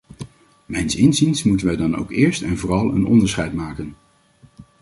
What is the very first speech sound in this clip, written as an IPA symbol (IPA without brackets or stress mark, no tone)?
m